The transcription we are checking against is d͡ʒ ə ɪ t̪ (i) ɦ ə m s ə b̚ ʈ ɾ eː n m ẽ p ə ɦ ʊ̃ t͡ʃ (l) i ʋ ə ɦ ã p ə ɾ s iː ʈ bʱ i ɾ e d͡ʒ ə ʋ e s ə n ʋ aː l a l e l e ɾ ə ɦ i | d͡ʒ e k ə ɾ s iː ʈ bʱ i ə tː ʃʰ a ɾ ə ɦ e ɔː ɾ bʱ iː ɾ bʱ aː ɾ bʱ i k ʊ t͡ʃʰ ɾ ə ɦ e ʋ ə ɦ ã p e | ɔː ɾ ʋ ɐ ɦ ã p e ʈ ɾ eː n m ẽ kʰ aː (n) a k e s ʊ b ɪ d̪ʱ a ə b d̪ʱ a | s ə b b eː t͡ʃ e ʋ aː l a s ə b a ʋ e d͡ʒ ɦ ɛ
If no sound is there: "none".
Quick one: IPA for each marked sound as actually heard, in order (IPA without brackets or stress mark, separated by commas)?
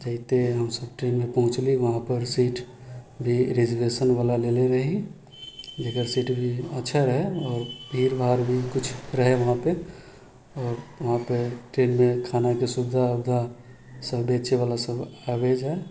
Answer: e, l, n